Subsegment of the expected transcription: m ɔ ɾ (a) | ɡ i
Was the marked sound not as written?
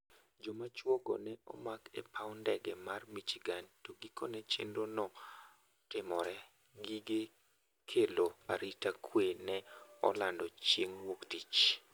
yes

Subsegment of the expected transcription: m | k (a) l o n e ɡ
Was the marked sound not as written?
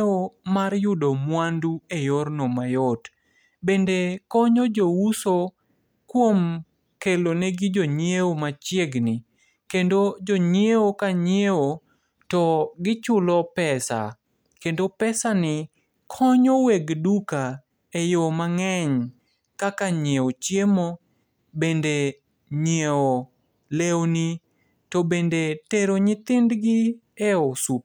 yes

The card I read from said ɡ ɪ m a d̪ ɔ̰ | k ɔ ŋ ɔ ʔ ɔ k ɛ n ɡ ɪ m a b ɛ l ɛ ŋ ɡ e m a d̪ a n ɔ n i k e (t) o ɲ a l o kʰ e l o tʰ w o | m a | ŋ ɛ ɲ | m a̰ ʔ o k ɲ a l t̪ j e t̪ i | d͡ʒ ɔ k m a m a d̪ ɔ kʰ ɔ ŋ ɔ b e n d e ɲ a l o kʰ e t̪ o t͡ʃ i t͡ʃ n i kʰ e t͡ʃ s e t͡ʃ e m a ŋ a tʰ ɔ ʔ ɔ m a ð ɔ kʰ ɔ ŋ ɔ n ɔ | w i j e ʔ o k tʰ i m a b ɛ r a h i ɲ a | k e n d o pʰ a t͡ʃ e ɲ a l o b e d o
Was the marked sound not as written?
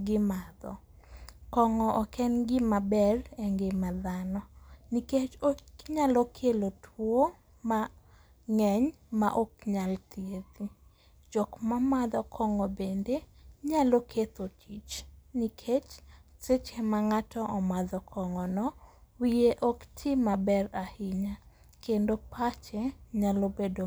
yes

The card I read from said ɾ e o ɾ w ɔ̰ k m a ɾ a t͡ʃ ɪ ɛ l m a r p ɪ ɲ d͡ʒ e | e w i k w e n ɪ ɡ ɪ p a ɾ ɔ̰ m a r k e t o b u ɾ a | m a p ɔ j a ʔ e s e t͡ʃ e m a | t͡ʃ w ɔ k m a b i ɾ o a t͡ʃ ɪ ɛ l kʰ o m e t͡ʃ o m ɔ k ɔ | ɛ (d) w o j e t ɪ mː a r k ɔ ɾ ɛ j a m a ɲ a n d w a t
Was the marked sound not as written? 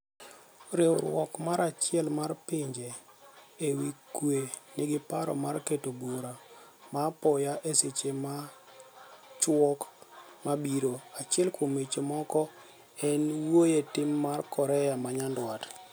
yes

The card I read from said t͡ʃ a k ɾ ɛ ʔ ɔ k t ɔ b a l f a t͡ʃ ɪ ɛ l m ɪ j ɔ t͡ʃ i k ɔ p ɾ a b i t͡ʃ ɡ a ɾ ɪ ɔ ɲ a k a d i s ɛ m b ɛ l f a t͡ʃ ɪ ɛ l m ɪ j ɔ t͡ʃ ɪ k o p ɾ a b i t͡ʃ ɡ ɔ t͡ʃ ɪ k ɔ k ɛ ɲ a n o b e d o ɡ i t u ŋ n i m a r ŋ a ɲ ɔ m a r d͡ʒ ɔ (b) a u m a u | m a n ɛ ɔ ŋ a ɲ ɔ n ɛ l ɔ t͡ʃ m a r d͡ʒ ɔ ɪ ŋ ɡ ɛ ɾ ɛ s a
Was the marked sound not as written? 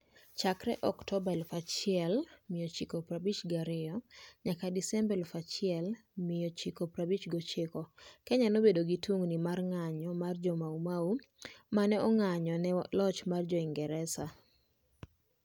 yes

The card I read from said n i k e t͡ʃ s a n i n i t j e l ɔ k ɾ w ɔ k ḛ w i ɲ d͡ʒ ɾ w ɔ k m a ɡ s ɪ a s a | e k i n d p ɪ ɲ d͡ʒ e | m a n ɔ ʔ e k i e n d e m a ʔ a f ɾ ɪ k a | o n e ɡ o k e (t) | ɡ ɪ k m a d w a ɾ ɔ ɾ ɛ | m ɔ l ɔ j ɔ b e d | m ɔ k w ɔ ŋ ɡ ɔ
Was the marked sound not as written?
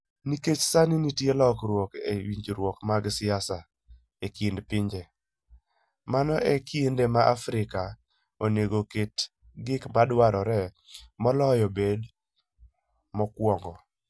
no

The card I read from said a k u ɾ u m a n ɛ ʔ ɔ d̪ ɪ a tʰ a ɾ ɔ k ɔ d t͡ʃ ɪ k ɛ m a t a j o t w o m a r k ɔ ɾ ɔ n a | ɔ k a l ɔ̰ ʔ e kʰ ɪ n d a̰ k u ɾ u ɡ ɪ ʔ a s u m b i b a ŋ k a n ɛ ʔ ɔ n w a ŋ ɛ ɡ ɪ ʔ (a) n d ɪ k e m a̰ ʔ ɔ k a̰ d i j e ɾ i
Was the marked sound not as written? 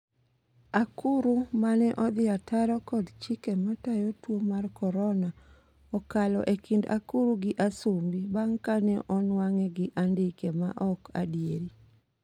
no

